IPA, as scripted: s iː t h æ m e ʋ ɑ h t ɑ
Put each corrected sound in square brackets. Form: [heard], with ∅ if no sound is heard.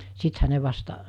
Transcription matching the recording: s [i] t h æ [n] e ʋ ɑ [s] t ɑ